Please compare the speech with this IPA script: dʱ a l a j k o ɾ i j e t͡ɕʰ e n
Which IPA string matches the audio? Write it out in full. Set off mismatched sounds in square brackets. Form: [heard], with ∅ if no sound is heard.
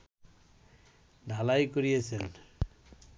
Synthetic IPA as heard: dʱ a l a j k o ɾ i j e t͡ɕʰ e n